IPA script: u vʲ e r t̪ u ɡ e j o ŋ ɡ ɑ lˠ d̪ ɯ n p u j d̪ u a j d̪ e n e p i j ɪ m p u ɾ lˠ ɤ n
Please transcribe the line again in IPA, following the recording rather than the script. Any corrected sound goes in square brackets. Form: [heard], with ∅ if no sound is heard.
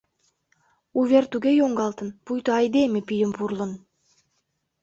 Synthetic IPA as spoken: u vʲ e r t̪ u ɡ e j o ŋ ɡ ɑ lˠ [t̪] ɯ n p u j [t̪] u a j d̪ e [m] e p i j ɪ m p u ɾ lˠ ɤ n